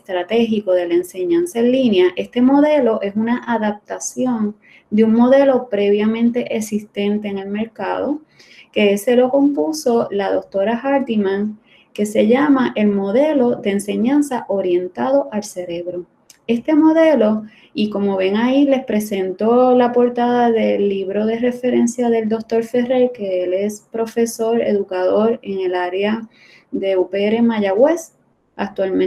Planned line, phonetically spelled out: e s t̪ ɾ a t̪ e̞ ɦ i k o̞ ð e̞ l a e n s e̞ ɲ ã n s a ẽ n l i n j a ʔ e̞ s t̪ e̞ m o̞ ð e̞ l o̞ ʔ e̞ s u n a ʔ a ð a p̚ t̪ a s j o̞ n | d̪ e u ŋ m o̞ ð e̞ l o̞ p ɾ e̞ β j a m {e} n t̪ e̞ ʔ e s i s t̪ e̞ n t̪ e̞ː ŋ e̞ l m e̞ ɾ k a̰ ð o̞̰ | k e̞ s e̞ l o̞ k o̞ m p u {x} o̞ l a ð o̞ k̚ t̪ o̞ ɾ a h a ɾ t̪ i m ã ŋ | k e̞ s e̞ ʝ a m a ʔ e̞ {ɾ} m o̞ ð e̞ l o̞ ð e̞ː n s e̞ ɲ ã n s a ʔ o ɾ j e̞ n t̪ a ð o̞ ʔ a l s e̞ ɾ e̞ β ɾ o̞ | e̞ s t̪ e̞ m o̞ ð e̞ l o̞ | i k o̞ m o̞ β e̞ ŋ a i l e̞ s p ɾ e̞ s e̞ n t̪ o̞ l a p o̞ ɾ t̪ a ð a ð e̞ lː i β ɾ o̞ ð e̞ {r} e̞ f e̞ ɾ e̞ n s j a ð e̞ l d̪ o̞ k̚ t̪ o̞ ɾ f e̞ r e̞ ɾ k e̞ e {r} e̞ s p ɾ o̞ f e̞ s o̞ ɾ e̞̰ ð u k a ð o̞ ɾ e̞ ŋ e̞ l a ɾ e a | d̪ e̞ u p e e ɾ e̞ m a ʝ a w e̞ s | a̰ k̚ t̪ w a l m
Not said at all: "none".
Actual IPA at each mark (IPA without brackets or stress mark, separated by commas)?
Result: ẽ, s, l, r, l